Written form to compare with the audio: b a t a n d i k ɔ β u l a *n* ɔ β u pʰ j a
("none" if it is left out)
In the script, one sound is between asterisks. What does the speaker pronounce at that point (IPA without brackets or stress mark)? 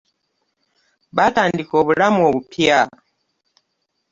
m